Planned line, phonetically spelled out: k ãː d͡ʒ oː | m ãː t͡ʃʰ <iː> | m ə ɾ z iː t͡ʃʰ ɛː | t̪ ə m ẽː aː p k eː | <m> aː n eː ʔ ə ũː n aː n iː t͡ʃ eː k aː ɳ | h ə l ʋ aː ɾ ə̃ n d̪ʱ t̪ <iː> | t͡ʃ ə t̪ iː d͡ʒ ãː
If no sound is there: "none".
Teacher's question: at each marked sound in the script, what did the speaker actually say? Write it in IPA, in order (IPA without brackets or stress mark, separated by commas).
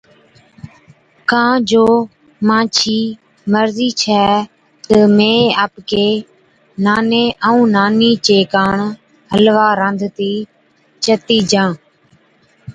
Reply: iː, n, iː